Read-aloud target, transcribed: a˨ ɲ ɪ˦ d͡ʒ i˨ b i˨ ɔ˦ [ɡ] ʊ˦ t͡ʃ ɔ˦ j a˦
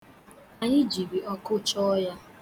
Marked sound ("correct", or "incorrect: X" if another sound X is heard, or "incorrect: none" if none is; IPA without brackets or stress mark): incorrect: k